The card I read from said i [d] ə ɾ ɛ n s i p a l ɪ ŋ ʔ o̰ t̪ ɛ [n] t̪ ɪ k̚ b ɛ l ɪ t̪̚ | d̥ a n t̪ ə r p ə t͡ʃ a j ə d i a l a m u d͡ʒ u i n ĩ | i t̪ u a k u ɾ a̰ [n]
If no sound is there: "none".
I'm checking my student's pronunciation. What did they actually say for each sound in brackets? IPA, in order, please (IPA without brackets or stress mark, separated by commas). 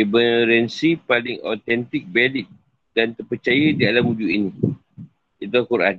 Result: b, n, n